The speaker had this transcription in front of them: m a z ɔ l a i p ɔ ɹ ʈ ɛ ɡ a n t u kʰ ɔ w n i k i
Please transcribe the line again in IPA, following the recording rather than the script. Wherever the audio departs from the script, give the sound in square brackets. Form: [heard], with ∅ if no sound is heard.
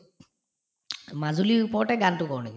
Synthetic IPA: m a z [u] l [i] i p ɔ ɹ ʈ ɛ ɡ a n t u [k] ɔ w n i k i